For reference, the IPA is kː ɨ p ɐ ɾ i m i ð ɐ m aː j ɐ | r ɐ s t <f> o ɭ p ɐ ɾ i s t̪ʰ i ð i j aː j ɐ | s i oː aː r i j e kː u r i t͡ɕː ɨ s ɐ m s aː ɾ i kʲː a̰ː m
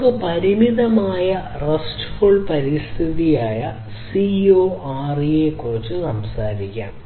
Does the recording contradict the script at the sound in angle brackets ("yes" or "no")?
no